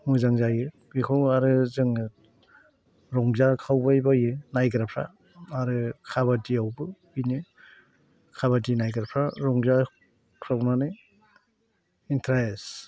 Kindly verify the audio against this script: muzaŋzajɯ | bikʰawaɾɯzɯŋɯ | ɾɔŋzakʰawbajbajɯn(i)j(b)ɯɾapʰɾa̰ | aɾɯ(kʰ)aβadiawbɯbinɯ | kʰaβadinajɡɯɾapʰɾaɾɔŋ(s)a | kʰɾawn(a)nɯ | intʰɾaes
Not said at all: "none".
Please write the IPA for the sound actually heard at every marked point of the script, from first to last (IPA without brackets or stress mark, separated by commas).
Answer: a, ɡ, kʰ, z, a